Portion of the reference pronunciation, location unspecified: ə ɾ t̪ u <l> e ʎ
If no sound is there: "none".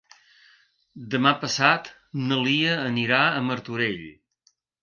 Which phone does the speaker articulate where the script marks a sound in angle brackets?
ɾ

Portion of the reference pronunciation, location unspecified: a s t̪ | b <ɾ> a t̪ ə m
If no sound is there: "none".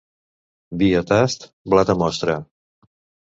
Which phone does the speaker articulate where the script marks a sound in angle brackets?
l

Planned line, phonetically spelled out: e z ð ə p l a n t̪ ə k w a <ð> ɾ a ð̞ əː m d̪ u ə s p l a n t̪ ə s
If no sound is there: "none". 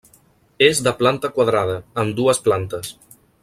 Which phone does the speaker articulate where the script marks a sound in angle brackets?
ð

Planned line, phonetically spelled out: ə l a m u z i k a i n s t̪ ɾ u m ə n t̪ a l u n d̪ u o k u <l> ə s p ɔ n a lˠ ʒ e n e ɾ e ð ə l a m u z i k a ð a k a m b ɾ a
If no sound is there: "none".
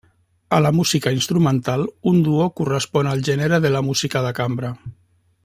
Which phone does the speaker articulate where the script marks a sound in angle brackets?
r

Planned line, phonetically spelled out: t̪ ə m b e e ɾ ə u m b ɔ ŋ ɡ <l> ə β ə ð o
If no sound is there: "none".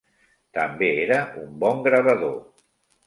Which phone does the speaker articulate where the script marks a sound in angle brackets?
ɾ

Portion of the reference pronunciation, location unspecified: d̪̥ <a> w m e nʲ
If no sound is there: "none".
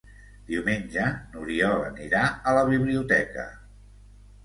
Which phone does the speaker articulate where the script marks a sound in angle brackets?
i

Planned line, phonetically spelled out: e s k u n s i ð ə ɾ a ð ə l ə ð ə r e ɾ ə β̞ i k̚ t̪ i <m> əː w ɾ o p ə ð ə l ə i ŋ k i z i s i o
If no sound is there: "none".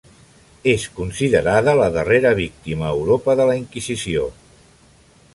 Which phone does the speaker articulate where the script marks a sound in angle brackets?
m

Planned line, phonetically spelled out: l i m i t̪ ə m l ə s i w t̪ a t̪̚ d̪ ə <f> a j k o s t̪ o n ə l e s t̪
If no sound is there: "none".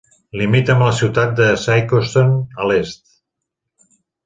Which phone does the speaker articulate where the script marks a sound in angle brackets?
s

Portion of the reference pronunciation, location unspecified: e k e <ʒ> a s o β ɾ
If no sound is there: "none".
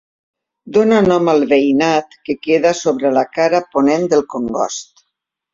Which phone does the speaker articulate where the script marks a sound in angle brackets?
ð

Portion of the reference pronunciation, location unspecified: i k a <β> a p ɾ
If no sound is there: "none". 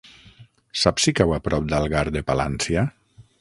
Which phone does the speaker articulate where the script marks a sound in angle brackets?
w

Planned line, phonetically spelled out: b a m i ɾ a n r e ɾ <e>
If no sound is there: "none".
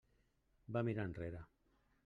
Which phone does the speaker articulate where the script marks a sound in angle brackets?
a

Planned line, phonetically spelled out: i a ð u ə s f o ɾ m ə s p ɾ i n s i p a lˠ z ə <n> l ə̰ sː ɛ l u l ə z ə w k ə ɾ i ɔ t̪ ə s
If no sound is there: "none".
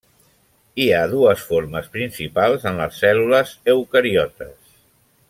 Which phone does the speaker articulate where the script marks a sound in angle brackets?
n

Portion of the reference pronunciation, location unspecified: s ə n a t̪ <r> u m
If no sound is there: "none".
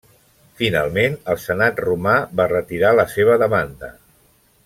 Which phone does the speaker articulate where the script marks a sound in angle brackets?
r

